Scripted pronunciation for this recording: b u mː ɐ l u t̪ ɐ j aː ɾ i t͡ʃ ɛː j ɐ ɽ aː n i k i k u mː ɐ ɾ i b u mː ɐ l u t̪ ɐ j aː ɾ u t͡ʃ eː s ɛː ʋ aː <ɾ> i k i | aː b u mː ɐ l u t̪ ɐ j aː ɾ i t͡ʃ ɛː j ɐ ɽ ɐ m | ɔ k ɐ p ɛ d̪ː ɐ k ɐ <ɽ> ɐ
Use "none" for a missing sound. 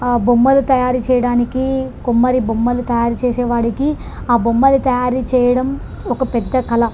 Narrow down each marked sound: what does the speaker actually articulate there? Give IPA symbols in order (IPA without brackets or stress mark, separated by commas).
ɽ, l